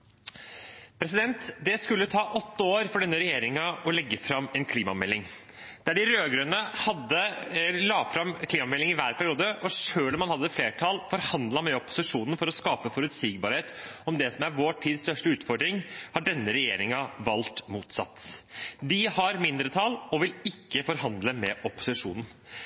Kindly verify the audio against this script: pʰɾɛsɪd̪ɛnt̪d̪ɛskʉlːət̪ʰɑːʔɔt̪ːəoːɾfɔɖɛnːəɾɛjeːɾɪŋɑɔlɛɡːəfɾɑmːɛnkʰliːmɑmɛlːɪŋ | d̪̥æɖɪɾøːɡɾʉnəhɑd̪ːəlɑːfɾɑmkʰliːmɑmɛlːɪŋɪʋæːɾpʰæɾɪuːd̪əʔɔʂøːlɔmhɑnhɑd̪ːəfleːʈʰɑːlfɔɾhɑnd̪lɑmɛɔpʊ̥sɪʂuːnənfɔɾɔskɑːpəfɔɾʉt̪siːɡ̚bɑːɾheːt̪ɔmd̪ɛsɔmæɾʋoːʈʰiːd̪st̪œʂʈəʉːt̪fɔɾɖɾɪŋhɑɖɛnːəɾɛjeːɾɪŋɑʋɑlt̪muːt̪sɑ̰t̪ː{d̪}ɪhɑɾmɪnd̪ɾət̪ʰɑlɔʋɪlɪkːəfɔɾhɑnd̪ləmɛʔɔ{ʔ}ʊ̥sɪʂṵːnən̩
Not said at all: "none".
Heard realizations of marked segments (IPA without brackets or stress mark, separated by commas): d̪, p